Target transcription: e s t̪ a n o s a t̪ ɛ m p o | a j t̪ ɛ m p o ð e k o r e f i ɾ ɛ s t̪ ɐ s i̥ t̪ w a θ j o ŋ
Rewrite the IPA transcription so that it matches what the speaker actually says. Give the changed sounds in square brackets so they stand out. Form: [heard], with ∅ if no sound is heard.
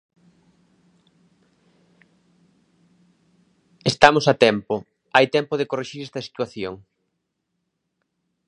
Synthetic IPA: e s t̪ a [m] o s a t̪ ɛ m p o | a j t̪ ɛ m p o ð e k o r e [ʃ] i ɾ ɛ s t̪ ɐ s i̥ t̪ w a θ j o ŋ